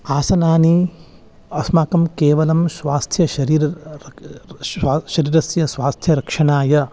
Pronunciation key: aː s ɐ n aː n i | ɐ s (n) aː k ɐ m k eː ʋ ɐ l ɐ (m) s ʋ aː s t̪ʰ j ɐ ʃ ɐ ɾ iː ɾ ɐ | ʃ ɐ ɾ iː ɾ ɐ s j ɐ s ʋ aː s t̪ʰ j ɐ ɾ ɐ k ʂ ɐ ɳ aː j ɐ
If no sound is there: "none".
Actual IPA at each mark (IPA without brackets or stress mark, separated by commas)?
m, m